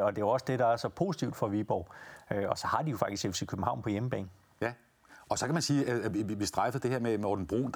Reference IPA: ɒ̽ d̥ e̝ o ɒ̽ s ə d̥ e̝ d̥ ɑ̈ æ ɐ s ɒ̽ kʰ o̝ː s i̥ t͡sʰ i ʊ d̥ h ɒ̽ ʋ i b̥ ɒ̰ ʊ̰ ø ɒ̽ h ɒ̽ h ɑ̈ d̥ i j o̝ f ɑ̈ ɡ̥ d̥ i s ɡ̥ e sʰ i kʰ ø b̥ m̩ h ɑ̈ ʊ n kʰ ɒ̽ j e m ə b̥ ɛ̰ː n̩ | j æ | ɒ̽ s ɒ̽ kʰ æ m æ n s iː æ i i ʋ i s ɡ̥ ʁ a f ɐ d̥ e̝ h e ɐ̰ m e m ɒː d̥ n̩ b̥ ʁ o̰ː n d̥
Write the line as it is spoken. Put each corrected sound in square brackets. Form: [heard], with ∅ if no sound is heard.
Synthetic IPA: ɒ̽ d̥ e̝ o ɒ̽ s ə d̥ e̝ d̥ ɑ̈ æ ɐ s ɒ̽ [pʰ] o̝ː s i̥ t͡sʰ i ʊ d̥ [f] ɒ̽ ʋ i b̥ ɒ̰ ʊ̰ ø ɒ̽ [s] ɒ̽ h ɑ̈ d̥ i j o̝ f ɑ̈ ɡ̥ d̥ i s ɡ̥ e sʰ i kʰ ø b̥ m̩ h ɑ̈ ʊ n [pʰ] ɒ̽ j e m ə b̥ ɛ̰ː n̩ | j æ | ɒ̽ s ɒ̽ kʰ æ m æ n s iː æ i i ʋ i s [d̥] ʁ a f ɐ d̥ e̝ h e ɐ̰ m e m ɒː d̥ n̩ b̥ ʁ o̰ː n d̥